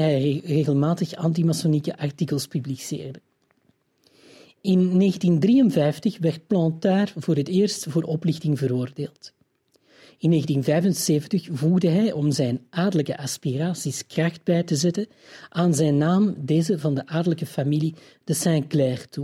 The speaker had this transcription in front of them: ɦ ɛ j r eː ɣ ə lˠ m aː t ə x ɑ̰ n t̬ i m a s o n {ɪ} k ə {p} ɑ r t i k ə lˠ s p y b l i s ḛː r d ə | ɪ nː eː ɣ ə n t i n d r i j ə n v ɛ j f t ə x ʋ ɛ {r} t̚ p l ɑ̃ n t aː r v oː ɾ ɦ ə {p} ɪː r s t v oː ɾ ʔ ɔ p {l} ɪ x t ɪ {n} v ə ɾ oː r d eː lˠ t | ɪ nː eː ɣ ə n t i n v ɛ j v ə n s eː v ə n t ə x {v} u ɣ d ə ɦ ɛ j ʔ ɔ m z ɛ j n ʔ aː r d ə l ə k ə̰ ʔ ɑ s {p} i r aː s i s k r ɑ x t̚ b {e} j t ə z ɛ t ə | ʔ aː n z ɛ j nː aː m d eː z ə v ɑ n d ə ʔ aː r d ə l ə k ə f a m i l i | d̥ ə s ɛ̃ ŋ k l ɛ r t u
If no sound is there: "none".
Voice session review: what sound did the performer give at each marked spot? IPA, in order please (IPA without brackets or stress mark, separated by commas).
i, ʔ, r, t, l, ŋ, v, p, ɛ